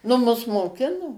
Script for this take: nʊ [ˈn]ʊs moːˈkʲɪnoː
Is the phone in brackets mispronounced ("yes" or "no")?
yes